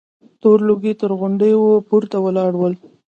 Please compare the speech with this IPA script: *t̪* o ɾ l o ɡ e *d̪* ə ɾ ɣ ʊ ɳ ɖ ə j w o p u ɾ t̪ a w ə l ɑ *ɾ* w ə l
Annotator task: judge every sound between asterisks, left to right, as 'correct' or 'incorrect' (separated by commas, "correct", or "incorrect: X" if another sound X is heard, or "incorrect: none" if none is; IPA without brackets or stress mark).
correct, incorrect: t̪, incorrect: ɽ